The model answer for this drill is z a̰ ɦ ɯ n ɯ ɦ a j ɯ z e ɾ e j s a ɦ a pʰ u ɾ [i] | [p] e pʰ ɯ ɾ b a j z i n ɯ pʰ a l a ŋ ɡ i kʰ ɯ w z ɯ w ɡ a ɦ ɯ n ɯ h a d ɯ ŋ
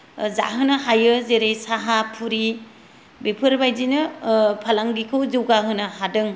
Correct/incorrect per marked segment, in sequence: correct, incorrect: b

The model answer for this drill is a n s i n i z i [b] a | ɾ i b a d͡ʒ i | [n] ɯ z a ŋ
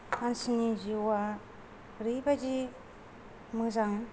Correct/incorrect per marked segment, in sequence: incorrect: w, incorrect: m

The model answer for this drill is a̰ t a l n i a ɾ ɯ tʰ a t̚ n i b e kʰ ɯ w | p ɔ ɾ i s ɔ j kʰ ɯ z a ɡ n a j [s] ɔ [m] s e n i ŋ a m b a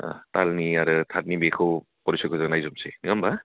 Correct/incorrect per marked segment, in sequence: incorrect: z, correct

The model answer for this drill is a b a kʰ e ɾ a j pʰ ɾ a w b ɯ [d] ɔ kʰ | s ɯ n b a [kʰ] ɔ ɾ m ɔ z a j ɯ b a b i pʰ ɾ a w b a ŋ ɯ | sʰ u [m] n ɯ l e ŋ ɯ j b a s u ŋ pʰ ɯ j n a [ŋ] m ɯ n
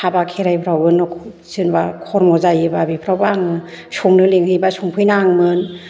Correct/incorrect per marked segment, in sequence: incorrect: n, correct, incorrect: ŋ, correct

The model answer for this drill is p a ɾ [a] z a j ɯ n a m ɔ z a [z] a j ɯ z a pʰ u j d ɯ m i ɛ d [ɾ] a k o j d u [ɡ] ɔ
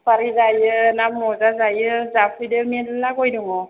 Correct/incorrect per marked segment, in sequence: incorrect: i, correct, incorrect: l, incorrect: ŋ

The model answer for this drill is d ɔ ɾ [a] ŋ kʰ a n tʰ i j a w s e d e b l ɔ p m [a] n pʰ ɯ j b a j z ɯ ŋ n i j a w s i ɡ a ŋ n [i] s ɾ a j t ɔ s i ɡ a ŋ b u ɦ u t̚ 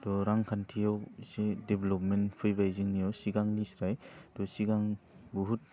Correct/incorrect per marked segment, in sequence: correct, incorrect: e, correct

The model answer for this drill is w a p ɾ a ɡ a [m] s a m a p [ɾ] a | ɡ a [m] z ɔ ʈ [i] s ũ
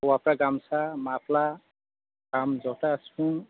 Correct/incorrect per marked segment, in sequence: correct, incorrect: l, correct, incorrect: a

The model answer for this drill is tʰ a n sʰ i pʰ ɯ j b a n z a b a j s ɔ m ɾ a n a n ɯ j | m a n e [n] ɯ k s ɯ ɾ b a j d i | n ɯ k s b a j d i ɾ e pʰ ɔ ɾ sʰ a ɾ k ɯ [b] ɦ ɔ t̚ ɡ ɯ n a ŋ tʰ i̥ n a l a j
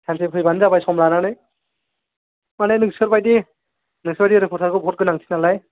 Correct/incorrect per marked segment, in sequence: correct, correct

